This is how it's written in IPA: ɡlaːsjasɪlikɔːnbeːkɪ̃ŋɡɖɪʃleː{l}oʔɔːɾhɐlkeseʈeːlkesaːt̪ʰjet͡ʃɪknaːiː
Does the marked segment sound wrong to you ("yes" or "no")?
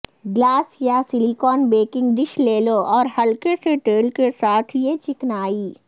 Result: no